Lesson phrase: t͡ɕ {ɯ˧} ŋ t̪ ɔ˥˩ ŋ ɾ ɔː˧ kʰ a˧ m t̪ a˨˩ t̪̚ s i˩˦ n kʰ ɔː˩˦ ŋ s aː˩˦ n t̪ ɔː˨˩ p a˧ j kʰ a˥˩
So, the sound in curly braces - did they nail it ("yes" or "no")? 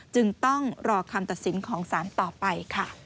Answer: yes